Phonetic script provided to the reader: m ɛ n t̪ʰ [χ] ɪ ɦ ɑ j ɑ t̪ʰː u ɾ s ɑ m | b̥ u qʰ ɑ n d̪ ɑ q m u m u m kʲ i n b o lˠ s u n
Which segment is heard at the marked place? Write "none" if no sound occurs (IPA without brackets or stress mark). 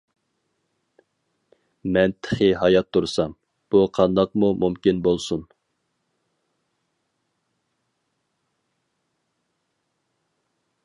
χ